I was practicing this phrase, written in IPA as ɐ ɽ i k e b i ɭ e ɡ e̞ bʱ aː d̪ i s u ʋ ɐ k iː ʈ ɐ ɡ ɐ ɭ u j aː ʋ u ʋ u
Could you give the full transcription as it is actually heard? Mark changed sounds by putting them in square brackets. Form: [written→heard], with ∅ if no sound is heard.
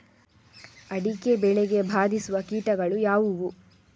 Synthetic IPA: ɐ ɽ i k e b [i→ɛ] ɭ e ɡ e̞ bʱ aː d̪ i s u ʋ ɐ k iː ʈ ɐ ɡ ɐ ɭ u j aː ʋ u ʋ u